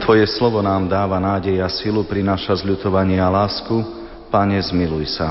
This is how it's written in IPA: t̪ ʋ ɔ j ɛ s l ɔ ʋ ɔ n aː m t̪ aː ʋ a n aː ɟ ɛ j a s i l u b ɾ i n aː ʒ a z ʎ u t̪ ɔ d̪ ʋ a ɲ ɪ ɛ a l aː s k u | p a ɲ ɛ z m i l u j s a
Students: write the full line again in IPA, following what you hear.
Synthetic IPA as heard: t̪ ʋ ɔ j ɛ s l ɔ ʋ ɔ n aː m d̪ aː ʋ a n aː ɟ ɛ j a s i l u p ɾ i n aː ʃ a z ʎ u t̪ ɔ ʋ a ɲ ɪ ɛ a l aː s k u | p a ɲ ɛ z m i l u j s a